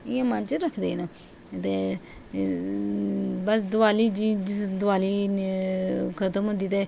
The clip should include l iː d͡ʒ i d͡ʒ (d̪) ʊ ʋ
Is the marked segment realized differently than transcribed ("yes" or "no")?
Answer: no